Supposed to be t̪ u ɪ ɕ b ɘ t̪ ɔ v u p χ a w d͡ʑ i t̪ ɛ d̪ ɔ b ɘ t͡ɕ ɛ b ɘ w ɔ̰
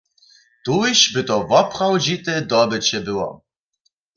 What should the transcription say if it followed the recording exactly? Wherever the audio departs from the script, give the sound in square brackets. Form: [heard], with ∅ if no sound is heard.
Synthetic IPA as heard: t̪ u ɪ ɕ b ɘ t̪ ɔ v [ɔ] p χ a w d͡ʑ i t̪ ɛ d̪ ɔ b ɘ t͡ɕ ɛ b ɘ w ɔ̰